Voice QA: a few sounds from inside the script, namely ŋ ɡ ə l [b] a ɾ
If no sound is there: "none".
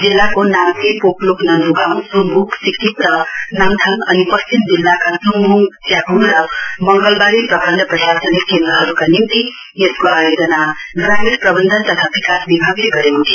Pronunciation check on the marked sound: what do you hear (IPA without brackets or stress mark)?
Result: b